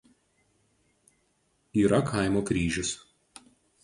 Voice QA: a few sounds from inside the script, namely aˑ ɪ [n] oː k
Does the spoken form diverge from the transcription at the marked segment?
yes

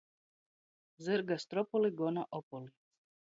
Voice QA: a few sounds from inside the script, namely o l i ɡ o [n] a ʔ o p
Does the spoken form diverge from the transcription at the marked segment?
no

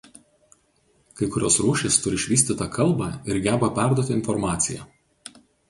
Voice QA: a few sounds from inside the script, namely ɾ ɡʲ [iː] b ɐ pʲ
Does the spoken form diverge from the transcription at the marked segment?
yes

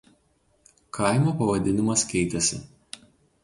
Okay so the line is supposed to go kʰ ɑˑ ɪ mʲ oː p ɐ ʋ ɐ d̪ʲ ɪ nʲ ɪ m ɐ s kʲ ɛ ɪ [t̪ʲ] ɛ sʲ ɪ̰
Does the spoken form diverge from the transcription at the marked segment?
no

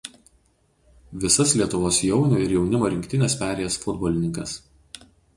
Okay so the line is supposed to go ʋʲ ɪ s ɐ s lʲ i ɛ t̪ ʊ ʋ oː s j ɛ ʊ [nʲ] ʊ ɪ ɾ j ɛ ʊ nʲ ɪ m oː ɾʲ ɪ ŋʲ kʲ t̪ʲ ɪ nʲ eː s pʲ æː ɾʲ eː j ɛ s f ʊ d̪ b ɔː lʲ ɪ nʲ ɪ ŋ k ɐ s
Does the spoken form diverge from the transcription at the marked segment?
no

